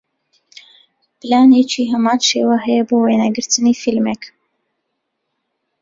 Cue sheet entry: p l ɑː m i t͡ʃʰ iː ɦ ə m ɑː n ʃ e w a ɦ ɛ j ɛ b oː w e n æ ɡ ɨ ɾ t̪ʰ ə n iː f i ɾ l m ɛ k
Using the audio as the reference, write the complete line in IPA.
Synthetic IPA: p l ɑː n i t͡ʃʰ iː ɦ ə m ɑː n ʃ e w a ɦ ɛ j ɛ b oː w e n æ ɡ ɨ ɾ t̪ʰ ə n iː f i l m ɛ k